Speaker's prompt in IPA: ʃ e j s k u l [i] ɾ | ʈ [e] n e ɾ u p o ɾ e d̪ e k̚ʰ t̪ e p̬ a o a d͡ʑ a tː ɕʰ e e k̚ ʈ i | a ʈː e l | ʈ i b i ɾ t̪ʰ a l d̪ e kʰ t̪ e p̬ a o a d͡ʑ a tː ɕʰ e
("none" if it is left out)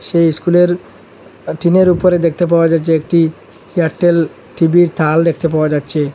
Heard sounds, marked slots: e, i

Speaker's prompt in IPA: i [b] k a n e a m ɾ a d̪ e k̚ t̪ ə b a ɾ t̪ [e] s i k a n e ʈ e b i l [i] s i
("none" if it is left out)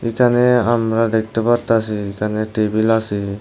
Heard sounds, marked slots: none, a, a

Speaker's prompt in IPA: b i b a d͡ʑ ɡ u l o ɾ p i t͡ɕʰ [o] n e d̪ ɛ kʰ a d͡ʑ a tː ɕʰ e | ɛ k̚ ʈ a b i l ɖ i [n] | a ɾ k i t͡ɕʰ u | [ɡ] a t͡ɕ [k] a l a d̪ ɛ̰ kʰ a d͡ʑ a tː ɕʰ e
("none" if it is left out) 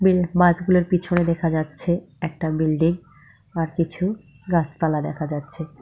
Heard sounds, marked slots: o, ŋ, ɡ, p

